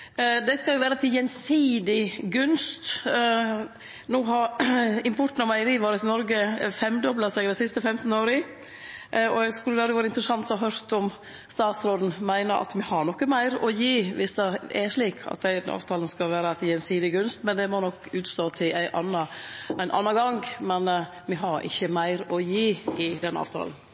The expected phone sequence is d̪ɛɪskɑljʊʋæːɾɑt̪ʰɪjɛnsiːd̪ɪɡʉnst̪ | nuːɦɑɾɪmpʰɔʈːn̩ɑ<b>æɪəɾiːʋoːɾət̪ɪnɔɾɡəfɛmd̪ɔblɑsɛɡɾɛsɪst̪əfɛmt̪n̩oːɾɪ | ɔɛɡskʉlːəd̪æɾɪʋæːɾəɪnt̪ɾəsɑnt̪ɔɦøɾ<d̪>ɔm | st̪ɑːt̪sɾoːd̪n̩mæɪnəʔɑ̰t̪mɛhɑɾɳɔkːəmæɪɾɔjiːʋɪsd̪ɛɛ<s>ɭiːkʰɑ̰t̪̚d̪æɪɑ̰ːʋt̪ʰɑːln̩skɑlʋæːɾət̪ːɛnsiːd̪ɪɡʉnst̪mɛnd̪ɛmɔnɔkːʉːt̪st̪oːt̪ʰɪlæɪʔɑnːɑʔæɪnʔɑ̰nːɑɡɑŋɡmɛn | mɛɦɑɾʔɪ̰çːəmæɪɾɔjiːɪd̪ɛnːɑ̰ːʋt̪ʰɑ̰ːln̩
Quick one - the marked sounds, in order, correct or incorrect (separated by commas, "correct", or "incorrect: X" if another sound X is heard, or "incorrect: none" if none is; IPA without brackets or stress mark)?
incorrect: m, incorrect: t̪, incorrect: ʂ